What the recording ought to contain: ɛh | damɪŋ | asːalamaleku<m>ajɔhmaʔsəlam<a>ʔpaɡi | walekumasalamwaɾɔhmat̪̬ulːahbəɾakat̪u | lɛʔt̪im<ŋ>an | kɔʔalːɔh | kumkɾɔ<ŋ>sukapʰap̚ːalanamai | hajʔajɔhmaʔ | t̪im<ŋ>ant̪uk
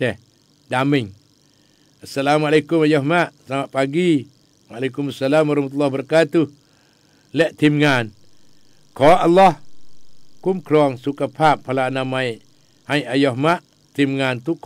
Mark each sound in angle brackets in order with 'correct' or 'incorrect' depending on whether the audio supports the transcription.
correct, correct, correct, correct, correct

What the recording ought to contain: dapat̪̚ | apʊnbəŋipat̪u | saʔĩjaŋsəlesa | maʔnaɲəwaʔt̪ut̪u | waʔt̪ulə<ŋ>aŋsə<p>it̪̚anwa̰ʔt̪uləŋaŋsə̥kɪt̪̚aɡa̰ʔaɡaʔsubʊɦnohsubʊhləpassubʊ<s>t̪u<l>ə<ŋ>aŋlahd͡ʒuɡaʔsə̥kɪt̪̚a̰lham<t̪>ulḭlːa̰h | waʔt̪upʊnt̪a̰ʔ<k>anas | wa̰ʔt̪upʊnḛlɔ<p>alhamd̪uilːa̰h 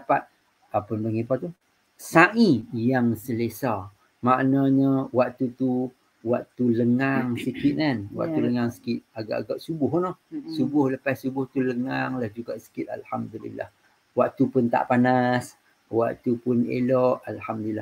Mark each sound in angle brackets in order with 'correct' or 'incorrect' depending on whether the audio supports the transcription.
correct, incorrect, incorrect, correct, correct, incorrect, incorrect, incorrect

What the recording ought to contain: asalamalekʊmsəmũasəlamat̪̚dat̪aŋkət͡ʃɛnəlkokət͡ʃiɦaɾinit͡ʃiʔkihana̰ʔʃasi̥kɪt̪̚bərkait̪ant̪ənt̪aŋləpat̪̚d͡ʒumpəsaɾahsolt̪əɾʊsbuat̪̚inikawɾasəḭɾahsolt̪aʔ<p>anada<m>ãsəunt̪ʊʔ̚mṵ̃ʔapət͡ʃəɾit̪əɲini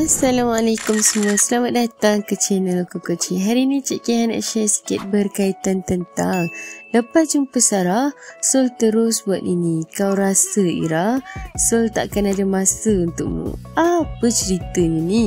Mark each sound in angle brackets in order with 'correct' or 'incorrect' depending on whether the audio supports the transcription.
incorrect, correct

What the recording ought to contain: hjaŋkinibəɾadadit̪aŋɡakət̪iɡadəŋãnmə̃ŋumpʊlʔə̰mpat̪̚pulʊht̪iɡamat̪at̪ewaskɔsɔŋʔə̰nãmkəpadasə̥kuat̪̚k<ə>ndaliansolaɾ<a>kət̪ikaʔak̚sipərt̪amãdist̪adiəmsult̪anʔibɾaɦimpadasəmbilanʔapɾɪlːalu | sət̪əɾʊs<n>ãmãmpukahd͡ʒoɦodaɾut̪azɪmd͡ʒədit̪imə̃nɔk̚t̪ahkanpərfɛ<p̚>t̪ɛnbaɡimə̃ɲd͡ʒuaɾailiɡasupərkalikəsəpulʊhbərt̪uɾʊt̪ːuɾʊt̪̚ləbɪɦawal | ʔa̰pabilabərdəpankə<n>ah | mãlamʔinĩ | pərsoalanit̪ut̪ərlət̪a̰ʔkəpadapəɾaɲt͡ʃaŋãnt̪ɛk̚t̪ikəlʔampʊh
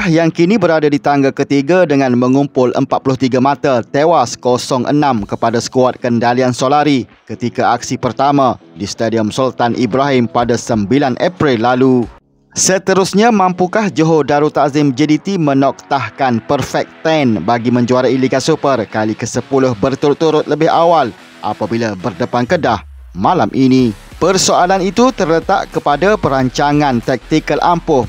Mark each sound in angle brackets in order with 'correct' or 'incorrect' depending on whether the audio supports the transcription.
correct, incorrect, incorrect, incorrect, incorrect

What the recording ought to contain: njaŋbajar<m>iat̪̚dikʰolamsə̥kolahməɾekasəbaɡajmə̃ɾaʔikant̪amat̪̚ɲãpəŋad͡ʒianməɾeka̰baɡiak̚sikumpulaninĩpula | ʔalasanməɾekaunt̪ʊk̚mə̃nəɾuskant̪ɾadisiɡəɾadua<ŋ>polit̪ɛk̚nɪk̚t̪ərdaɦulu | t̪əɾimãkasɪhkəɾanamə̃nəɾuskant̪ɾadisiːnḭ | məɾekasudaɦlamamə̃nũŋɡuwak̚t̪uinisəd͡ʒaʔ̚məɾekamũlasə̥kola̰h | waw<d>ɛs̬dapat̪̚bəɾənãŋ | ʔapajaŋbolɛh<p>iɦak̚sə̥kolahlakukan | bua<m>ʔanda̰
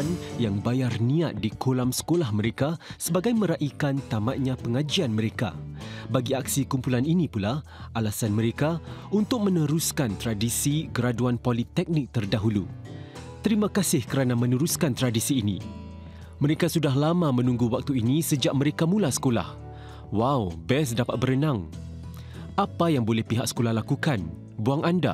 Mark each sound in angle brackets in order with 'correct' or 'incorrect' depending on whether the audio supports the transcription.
incorrect, incorrect, incorrect, correct, incorrect

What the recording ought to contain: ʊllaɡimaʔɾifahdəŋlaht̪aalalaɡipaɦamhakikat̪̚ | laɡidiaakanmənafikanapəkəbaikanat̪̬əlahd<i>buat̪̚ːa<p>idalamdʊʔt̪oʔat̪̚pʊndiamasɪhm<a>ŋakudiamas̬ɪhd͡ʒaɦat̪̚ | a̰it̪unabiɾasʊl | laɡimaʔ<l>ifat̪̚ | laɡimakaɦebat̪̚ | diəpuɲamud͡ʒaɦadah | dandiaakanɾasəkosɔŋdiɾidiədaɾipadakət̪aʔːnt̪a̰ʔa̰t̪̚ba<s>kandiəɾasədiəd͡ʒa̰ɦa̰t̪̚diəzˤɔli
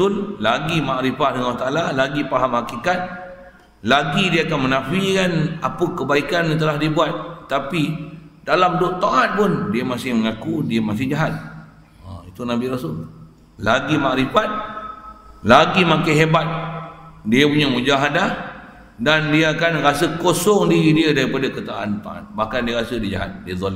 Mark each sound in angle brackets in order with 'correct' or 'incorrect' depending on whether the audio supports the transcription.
correct, correct, incorrect, incorrect, incorrect

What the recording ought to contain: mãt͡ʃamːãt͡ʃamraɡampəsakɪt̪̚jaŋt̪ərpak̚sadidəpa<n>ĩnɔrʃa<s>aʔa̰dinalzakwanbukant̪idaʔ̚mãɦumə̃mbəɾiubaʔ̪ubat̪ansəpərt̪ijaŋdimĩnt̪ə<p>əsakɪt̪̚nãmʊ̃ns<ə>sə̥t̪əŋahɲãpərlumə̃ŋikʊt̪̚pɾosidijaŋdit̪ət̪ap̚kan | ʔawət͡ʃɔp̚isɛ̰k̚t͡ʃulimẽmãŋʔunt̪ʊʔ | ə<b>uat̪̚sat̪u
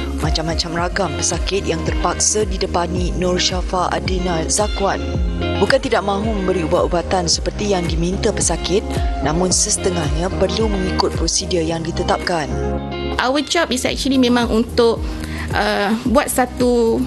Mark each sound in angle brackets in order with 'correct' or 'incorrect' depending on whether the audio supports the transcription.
correct, incorrect, correct, correct, correct

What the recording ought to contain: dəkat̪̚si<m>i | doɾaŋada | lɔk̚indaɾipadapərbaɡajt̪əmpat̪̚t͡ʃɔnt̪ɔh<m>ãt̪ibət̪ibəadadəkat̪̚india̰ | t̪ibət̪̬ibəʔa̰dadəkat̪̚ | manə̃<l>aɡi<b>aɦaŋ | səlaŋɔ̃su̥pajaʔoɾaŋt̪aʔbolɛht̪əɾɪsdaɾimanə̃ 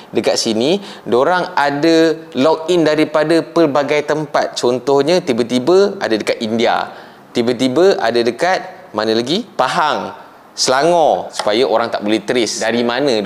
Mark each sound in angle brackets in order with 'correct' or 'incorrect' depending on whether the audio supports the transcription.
incorrect, incorrect, correct, incorrect

